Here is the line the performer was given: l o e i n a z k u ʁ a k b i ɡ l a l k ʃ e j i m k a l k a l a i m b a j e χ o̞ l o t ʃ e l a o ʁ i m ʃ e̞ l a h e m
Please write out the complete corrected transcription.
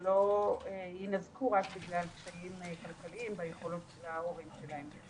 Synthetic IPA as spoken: l o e i n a z k u ʁ a k b i ɡ l a l k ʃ a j i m k a l k a l i i m b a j e χ o̞ l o t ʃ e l a o ʁ i m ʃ e̞ l a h e m